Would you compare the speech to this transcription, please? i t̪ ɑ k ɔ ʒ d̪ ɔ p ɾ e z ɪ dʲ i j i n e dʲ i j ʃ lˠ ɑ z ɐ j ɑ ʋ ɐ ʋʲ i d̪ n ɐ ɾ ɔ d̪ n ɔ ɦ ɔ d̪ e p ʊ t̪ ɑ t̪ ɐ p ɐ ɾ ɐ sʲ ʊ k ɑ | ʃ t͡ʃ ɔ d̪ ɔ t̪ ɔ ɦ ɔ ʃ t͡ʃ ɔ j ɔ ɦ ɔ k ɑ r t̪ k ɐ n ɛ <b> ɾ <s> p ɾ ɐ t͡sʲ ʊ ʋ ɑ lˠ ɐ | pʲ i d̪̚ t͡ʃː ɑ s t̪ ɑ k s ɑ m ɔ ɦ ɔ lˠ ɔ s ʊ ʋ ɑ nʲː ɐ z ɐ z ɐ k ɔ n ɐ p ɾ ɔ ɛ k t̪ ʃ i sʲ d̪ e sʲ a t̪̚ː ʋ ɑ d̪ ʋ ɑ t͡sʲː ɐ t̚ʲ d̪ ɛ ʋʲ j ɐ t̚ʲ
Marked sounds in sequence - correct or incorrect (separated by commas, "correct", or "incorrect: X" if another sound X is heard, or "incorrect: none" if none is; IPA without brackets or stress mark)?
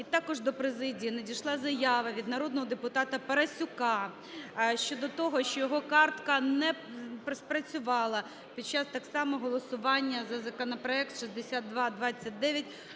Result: incorrect: p, correct